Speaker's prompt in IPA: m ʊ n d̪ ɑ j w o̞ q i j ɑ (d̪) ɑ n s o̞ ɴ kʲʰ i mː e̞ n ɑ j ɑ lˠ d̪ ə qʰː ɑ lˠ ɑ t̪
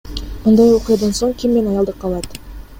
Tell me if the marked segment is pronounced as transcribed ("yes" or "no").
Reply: yes